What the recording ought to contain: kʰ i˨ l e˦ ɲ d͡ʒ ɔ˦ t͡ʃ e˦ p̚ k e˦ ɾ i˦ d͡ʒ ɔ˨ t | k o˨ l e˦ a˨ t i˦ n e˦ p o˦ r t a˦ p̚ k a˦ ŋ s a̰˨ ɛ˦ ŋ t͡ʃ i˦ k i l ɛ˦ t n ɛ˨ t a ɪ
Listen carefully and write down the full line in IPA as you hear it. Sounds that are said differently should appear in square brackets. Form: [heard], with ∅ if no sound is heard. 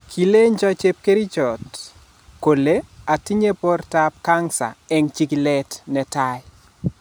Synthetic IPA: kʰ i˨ l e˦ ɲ d͡ʒ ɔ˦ t͡ʃ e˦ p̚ k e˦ ɾ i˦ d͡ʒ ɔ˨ t | k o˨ l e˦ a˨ t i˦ [ɲ] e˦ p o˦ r t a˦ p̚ k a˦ ŋ s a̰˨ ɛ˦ ŋ t͡ʃ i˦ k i l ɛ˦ t n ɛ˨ t a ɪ